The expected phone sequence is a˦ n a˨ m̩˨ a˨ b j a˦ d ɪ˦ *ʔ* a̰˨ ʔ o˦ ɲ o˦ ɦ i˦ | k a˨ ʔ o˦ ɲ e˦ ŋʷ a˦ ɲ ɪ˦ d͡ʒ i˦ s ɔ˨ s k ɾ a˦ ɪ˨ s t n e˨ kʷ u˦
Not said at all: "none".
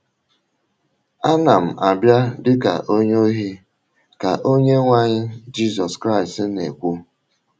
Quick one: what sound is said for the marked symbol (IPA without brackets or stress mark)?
k